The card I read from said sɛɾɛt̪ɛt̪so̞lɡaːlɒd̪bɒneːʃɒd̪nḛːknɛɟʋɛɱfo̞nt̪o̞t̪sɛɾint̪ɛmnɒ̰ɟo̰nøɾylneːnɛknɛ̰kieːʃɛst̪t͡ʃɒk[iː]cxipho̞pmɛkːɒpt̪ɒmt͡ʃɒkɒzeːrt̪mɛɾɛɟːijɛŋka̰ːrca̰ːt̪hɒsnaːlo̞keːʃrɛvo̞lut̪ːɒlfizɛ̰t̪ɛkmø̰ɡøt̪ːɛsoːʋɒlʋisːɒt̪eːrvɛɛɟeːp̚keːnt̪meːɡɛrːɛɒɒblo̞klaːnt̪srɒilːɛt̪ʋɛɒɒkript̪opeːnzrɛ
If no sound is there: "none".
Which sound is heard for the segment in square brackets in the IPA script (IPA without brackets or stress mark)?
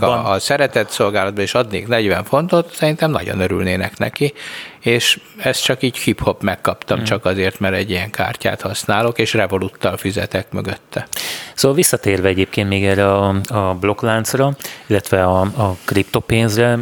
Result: iː